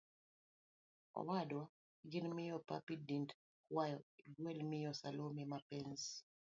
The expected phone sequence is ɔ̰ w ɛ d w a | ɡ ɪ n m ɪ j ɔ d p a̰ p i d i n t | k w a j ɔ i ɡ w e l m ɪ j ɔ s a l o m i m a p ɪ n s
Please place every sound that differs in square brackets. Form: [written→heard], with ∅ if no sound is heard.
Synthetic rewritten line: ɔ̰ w [ɛ→a] d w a | ɡ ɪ n m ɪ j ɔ [d→∅] p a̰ p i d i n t | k w a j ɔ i ɡ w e l m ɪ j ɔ s a l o m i m a p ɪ n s

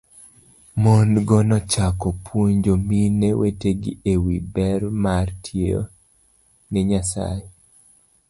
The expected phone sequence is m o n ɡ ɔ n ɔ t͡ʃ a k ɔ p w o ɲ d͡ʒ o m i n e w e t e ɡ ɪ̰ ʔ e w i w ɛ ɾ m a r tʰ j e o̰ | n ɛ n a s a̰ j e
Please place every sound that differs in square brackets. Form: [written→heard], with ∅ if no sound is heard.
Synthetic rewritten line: m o n ɡ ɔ n ɔ t͡ʃ a k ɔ p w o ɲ d͡ʒ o m i n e w e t e ɡ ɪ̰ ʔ e w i [w→b] ɛ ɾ m a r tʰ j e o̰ | n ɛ [n→ɲ] a s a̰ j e

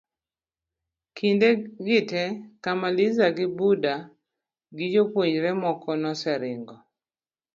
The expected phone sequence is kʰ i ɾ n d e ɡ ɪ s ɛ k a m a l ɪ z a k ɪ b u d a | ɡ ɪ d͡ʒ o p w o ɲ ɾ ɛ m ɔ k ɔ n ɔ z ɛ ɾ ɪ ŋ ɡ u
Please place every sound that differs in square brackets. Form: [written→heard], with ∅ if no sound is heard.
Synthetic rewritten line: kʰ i [ɾ→∅] n d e ɡ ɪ [s→t] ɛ k a m a l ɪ z a [k→ɡ] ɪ b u d a | ɡ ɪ d͡ʒ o p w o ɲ ɾ ɛ m ɔ k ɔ n ɔ [z→s] ɛ ɾ ɪ ŋ ɡ [u→ɔ]

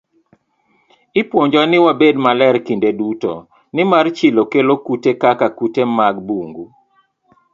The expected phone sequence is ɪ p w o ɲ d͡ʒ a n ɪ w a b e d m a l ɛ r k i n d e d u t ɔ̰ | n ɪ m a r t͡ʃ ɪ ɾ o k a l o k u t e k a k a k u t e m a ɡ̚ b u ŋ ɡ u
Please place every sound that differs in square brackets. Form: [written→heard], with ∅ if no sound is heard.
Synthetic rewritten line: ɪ p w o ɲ d͡ʒ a n ɪ w a b e d m a l ɛ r k i n d e d u t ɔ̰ | n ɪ m a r t͡ʃ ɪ [ɾ→l] o k [a→e] l o k u t e k a k a k u t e m a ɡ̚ b u ŋ ɡ u

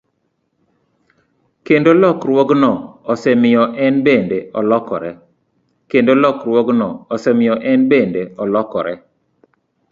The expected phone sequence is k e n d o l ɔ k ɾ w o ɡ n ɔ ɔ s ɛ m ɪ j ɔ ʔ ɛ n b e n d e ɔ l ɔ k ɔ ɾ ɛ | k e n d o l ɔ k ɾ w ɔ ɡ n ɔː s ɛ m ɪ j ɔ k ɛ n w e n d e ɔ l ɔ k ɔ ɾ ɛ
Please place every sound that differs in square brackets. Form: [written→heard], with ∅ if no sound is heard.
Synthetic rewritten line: k e n d o l ɔ k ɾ w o ɡ n ɔ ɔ s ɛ m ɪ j ɔ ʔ ɛ n b e n d e ɔ l ɔ k ɔ ɾ ɛ | k e n d o l ɔ k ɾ w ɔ ɡ n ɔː s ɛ m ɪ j ɔ [k→ʔ] ɛ n [w→b] e n d e ɔ l ɔ k ɔ ɾ ɛ

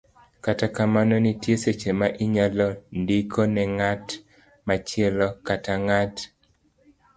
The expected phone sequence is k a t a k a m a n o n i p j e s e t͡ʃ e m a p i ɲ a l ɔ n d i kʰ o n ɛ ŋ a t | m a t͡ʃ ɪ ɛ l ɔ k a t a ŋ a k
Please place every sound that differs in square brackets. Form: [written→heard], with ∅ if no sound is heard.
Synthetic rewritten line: k a t a k a m a n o n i [p→t] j e s e t͡ʃ e m a [p→ʔ] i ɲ a l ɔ n d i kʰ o n ɛ ŋ a t | m a t͡ʃ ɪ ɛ l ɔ k a t a ŋ a [k→t]

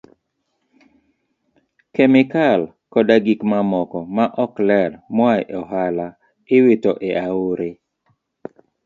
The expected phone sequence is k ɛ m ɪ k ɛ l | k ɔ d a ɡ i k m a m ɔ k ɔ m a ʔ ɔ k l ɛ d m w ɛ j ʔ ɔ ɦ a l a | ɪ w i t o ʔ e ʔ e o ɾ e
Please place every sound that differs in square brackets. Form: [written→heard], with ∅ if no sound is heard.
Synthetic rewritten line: k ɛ m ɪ k [ɛ→a] l | k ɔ d a ɡ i k m a m ɔ k ɔ m a ʔ ɔ k l ɛ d m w [ɛ→a] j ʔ ɔ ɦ a l a | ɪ w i t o ʔ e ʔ [e→a] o ɾ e

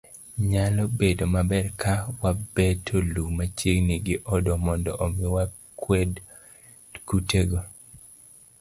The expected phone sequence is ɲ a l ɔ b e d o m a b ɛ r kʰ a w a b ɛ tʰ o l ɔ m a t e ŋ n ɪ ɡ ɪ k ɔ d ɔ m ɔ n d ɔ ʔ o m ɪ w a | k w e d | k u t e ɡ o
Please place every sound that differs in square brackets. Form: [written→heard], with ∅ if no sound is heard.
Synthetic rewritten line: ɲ a l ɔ b e d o m a b ɛ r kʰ a w a b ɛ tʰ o l [ɔ→u] m a [t→t͡ʃ] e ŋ n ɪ ɡ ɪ [k→ʔ] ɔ d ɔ m ɔ n d ɔ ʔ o m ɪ w a | k w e d | k u t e ɡ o

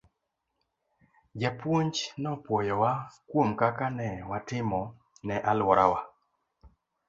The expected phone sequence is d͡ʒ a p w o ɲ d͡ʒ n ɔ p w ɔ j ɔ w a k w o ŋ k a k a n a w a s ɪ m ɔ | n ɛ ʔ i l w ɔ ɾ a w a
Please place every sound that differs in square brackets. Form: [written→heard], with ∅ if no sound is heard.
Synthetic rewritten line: d͡ʒ a p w o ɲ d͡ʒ n ɔ p w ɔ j ɔ w a k w o [ŋ→m] k a k a n [a→ɛ] w a [s→t] ɪ m ɔ | n ɛ ʔ [i→a] l w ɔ ɾ a w a

